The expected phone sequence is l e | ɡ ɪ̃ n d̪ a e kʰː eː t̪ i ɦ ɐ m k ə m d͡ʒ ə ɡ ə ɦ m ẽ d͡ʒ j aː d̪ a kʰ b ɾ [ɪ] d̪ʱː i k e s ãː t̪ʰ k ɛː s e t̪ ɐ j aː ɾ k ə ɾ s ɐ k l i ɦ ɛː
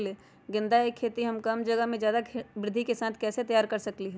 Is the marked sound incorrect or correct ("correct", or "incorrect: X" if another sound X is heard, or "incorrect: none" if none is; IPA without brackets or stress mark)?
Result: correct